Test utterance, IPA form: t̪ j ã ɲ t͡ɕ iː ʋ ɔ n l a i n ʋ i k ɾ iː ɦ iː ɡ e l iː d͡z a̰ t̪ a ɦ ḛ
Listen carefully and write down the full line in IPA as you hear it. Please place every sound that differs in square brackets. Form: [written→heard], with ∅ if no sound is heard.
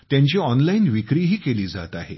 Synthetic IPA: t̪ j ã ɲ t͡ɕ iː [ʋ→∅] ɔ n l a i n ʋ i k ɾ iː ɦ iː [ɡ→k] e l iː d͡z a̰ t̪ a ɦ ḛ